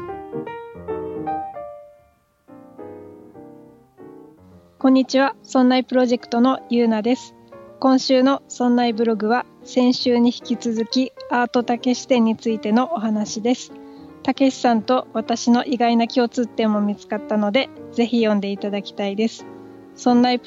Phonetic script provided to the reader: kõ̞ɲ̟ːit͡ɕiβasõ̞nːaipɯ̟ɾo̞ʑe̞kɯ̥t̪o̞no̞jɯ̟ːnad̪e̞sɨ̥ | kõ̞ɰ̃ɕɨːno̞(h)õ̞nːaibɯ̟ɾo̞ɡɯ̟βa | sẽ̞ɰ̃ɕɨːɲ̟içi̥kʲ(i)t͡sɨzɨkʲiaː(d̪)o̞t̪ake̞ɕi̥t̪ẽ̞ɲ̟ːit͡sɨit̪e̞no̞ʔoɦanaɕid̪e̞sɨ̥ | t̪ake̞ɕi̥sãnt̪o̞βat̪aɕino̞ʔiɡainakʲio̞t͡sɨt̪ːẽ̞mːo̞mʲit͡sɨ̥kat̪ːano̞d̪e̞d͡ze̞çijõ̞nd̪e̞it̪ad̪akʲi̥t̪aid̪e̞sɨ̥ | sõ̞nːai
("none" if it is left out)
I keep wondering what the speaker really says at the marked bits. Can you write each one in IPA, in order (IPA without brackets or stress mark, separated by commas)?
s, i, t̪